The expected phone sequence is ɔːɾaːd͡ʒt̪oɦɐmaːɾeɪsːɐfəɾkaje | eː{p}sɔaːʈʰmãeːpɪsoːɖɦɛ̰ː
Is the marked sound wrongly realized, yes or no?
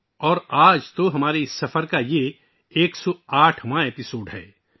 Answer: yes